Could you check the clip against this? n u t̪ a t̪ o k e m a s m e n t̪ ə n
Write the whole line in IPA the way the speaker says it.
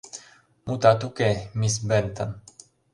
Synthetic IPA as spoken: m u t̪ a t̪ u k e m i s b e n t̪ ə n